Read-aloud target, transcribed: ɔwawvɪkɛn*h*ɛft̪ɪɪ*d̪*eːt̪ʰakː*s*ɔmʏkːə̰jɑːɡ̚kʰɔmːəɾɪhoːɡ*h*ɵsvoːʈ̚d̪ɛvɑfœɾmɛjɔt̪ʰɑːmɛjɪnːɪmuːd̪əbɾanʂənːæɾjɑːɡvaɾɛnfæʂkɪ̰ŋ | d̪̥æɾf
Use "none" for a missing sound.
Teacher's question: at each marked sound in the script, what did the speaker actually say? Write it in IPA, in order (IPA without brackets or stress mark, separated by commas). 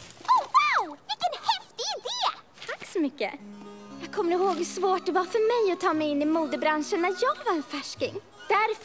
h, d̪, s, h